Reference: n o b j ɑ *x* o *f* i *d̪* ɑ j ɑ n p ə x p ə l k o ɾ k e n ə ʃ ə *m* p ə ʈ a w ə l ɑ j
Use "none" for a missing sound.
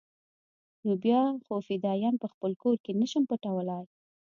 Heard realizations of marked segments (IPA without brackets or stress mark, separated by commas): x, f, d̪, m